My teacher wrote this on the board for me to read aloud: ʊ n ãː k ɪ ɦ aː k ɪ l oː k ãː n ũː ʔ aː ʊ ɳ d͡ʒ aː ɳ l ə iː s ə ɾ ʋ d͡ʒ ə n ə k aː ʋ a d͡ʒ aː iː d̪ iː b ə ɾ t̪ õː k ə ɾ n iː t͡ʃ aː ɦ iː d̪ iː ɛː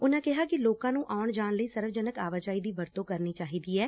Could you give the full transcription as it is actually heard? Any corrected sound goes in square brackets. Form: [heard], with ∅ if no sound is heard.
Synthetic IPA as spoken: ʊ n ãː k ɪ ɦ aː k ɪ l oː k ãː n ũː ʔ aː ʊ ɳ d͡ʒ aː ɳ l ə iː s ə ɾ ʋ d͡ʒ ə n ə k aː ʋ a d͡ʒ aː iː d̪ iː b ə ɾ t̪ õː k ə ɾ n iː t͡ʃ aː ɦ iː d̪ iː ɛː